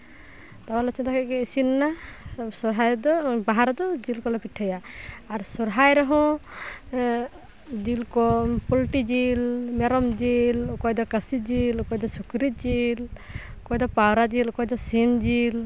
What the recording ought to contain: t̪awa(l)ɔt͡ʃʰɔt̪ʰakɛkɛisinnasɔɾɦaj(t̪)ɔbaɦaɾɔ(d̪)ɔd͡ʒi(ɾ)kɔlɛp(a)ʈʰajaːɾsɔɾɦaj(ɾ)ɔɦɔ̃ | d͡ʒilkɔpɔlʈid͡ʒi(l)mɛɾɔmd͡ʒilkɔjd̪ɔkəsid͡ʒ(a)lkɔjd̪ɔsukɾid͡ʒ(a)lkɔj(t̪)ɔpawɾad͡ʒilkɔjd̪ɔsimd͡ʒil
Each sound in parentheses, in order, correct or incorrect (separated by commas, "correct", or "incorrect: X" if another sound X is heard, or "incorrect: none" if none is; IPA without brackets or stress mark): correct, incorrect: d̪, correct, incorrect: l, incorrect: i, correct, correct, incorrect: i, incorrect: i, incorrect: d̪